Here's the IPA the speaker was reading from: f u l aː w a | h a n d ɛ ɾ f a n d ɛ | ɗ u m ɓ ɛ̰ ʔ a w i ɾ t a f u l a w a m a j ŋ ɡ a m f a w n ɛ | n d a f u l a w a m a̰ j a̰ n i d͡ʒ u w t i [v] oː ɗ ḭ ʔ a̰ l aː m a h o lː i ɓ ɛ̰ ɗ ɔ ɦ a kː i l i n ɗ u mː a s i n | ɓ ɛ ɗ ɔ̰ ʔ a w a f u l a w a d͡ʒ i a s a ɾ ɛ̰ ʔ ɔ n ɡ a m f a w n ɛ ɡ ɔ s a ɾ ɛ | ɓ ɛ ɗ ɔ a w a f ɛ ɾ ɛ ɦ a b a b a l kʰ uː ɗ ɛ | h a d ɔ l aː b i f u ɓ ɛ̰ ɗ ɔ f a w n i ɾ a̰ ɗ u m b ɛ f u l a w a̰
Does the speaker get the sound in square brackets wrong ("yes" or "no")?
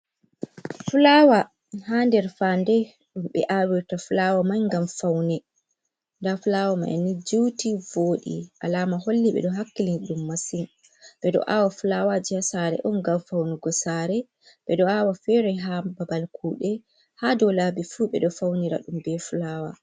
no